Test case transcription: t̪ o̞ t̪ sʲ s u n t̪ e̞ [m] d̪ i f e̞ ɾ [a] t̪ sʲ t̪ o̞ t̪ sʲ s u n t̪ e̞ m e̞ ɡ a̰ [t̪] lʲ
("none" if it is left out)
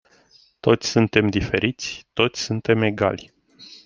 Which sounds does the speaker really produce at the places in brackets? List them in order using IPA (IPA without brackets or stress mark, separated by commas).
m, i, none